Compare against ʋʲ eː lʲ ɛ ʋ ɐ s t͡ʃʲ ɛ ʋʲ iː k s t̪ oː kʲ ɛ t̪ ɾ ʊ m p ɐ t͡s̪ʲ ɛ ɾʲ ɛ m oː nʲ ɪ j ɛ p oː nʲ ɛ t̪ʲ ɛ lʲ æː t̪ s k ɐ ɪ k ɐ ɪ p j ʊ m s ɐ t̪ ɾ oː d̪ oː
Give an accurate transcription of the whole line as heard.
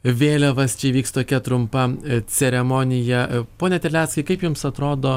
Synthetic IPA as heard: ʋʲ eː lʲ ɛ ʋ ɐ s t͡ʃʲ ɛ ʋʲ iː k s t̪ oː kʲ ɛ t̪ ɾ ʊ m p ɐ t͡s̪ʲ ɛ ɾʲ ɛ m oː nʲ ɪ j ɛ p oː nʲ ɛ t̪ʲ ɛ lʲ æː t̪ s k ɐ ɪ k ɐ ɪ p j ʊ m s ɐ t̪ ɾ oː d̪ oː